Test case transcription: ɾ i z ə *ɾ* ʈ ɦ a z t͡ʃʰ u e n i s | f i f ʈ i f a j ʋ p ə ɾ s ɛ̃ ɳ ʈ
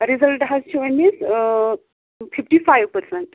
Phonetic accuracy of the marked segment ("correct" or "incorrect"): incorrect